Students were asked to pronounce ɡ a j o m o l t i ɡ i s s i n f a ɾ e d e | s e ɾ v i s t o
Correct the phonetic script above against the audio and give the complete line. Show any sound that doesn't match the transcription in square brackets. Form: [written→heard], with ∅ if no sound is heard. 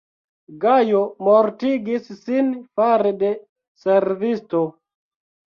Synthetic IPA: ɡ a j o m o [l→ɾ] t i ɡ i s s i n f a ɾ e d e | s e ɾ v i s t o